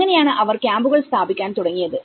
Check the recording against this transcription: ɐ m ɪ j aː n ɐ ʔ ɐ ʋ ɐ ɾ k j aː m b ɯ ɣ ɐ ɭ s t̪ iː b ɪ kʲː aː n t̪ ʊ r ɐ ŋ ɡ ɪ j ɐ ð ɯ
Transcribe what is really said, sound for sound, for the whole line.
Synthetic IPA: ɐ n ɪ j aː n ɐ ʔ ɐ ʋ ɐ ɾ k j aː m b ɯ ɣ ɐ ɭ s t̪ aː b ɪ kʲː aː n t̪ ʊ ɽ ɐ ŋ ɡ ɪ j ɐ ð ɯ